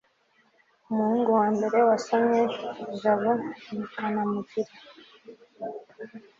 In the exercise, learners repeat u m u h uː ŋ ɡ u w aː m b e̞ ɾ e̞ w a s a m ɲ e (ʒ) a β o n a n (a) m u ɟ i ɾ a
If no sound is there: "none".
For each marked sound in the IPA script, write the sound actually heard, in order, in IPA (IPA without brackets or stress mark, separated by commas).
ʒ, a